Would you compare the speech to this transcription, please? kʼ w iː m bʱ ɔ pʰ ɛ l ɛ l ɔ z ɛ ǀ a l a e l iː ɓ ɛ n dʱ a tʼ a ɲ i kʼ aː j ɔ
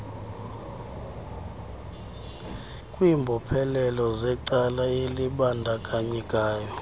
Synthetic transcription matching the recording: kʼ w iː m bʱ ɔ pʰ ɛ l ɛ l ɔ z ɛ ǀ a l a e l i ɓ a n dʱ a kʼ a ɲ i kʼ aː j ɔ